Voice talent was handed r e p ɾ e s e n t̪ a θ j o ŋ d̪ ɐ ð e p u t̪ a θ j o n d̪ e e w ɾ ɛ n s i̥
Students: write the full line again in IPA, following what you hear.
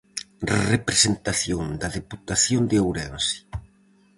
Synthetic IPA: r e p ɾ e s e n t̪ a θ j o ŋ d̪ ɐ ð e p u t̪ a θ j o n d̪ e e w ɾ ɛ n s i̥